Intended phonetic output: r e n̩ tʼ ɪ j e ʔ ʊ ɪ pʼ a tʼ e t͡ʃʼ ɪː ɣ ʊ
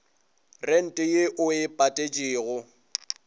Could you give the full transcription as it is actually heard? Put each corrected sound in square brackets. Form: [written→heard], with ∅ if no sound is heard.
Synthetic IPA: r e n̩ tʼ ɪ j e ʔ ʊ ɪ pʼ a tʼ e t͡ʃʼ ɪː ɣ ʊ